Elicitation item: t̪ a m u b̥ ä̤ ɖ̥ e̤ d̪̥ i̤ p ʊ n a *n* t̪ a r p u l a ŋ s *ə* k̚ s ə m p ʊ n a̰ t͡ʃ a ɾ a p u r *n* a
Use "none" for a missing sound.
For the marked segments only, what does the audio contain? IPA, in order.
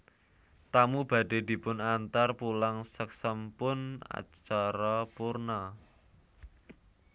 n, ə, n

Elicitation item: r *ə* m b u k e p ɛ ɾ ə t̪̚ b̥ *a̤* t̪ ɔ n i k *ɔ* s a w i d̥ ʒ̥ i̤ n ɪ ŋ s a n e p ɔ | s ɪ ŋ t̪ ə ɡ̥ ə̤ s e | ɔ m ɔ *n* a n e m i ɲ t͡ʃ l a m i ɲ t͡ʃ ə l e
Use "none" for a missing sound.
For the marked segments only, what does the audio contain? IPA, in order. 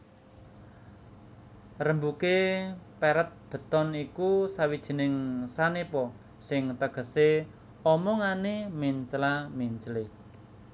ə, ə̤, u, ŋ

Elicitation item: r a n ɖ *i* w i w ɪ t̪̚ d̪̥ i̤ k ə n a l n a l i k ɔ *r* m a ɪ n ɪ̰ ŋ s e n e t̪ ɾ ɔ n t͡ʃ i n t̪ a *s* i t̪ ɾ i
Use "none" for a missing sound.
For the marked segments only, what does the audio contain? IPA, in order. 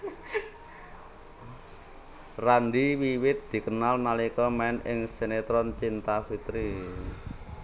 i, none, f

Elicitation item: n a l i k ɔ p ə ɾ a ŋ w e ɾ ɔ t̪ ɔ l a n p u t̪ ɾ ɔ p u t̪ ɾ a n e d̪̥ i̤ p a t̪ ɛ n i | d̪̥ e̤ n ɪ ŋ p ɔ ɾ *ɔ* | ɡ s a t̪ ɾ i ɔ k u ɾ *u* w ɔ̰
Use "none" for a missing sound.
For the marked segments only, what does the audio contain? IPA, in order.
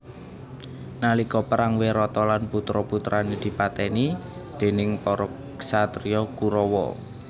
ɔ, ɔ

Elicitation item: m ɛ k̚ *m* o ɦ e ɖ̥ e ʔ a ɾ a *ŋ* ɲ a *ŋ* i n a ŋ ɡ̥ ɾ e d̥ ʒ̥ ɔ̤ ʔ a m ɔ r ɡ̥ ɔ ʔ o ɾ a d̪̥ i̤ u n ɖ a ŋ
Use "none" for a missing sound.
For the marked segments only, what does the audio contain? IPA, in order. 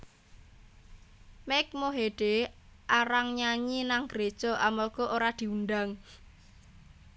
m, ŋ, ɲ

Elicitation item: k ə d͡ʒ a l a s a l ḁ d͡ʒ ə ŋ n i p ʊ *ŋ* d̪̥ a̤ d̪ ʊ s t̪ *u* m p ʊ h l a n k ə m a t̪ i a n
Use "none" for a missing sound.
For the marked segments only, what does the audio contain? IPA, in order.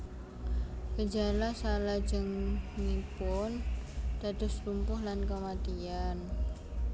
n, u

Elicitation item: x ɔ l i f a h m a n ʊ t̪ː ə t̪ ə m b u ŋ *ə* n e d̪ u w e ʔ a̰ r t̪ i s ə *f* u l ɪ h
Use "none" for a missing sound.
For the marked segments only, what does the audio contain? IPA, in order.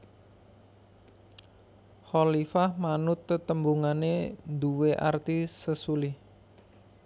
a, s

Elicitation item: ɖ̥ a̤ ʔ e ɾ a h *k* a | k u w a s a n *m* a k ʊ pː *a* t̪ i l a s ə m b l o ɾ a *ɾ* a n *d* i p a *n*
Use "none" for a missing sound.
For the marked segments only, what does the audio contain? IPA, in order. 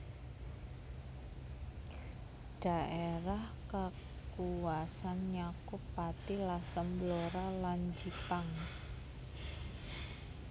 k, ɲ, a, l, d͡ʒ, ŋ

